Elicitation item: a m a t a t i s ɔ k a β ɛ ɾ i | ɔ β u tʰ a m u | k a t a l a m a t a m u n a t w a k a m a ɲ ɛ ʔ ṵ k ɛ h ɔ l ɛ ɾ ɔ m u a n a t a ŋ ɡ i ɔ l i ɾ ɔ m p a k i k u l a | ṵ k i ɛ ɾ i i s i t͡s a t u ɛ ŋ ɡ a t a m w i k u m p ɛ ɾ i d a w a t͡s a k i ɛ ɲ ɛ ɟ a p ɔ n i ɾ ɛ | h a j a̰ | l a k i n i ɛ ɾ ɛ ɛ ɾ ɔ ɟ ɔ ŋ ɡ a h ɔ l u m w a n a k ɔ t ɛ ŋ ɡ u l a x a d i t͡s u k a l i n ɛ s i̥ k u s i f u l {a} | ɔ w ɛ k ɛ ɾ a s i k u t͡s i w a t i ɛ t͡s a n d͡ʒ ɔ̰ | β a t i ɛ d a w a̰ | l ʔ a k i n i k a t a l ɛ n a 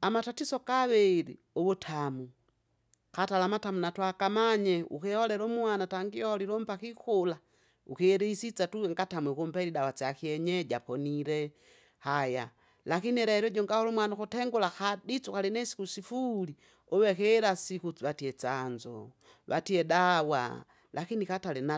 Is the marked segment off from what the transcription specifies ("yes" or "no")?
yes